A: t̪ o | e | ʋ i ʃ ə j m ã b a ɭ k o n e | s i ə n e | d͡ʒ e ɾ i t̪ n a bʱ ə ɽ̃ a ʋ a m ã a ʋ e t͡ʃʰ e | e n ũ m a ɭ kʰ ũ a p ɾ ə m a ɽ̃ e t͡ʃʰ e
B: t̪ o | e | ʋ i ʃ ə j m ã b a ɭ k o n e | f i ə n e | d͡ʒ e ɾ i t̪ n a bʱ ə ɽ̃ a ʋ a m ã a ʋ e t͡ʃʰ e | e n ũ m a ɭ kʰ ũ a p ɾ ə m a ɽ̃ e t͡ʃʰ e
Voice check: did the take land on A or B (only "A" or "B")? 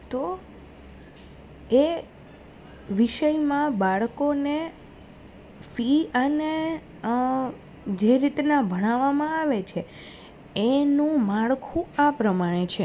B